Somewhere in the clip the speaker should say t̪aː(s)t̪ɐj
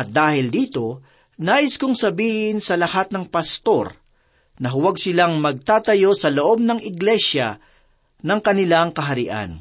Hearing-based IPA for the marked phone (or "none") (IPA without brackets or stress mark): none